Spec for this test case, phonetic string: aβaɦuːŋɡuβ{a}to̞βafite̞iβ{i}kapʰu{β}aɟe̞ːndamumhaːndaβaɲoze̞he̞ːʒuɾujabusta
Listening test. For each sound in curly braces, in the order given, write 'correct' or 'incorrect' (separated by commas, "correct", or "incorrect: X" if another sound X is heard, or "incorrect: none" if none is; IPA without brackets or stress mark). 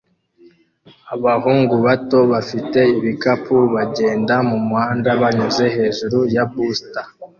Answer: correct, correct, correct